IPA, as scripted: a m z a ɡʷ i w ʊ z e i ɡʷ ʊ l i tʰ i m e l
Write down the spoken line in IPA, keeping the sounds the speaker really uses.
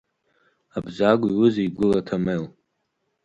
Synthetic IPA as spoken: a b z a ɡʷ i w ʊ z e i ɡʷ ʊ l a tʰ a m e l